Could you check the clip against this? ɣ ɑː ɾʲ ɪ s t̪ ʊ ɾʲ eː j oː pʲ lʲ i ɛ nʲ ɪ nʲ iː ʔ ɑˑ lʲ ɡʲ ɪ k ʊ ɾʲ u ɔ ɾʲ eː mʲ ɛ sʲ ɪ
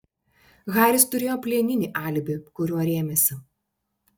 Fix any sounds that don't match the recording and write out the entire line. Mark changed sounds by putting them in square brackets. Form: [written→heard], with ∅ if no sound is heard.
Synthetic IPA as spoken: ɣ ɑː ɾʲ ɪ s t̪ ʊ ɾʲ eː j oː pʲ lʲ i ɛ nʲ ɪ nʲ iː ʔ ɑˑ lʲ [ɡʲ→bʲ] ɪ k ʊ ɾʲ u ɔ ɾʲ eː mʲ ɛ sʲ ɪ